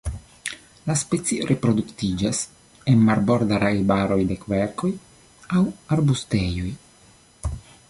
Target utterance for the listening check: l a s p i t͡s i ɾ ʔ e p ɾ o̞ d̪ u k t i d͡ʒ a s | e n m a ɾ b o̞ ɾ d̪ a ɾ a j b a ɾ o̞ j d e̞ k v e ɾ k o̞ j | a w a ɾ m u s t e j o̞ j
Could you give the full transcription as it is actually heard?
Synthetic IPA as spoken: l a s p e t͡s i ɾ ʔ e p ɾ o̞ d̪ u k t i d͡ʒ a s | e n m a ɾ b o̞ ɾ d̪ a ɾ a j b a ɾ o̞ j d e̞ k v e ɾ k o̞ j | a w a ɾ b u s t e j o̞ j